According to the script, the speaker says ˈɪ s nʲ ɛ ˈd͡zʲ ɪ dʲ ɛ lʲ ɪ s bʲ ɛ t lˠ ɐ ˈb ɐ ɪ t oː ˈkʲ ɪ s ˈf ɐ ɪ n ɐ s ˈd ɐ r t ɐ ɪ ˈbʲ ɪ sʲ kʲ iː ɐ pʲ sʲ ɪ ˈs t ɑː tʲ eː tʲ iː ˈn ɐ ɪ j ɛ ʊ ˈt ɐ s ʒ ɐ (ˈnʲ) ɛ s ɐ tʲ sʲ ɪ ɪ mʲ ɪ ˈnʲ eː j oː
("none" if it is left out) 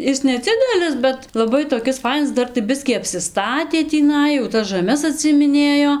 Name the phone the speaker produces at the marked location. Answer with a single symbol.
mʲ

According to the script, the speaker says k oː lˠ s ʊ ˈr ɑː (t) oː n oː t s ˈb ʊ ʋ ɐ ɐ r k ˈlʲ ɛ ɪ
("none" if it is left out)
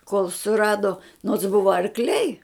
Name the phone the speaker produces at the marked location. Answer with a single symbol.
d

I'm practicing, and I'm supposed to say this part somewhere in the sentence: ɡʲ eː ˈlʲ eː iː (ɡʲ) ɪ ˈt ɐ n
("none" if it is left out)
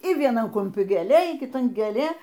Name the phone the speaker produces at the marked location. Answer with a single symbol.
kʲ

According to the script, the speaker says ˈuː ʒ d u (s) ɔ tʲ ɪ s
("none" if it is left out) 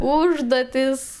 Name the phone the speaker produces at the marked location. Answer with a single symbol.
none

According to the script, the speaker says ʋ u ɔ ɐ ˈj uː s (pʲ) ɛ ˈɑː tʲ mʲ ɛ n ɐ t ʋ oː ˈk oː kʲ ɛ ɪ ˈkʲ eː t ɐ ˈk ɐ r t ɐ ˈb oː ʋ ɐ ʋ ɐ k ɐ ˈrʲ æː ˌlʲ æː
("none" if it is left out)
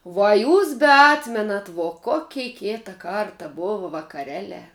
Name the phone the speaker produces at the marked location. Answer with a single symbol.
bʲ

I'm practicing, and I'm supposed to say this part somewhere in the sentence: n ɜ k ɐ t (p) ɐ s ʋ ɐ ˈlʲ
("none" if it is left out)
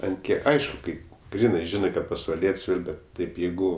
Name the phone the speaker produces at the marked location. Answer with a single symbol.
p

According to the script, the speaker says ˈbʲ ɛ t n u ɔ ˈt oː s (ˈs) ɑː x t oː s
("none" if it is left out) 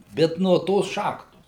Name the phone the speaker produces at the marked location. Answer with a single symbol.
ʃ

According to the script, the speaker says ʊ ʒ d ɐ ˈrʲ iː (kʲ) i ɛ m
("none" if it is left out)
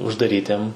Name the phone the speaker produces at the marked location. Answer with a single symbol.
tʲ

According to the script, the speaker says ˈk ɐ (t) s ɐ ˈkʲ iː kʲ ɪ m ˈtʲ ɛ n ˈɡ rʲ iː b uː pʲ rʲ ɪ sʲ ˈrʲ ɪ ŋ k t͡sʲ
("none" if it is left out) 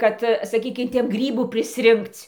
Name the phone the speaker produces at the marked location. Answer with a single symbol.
t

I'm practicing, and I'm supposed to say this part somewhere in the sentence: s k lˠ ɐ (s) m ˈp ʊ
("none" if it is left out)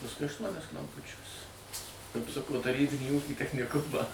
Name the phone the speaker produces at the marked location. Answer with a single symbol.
none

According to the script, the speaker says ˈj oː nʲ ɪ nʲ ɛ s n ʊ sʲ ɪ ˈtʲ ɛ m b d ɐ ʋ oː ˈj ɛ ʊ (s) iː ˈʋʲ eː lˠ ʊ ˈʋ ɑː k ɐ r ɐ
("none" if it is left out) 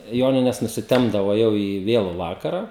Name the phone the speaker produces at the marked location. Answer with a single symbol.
none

